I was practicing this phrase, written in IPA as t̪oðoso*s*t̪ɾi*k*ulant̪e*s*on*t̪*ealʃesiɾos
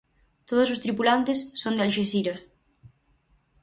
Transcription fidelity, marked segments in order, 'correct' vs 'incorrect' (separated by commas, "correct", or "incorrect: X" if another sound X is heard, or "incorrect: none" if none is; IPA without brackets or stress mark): correct, incorrect: p, incorrect: sː, incorrect: d̪